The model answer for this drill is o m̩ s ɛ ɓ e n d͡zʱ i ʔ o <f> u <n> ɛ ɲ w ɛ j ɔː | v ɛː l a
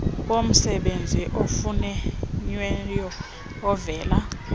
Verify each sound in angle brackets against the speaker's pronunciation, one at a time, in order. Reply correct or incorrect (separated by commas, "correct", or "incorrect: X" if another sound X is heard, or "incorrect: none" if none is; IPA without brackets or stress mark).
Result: correct, correct